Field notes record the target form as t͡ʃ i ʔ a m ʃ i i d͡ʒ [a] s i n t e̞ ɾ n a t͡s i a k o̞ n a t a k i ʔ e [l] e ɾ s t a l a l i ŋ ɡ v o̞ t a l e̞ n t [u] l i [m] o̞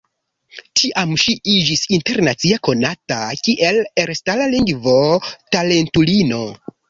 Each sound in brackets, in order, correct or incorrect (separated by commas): incorrect, correct, correct, incorrect